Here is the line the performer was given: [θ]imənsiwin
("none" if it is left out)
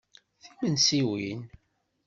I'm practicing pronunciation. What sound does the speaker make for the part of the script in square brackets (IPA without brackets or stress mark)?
θ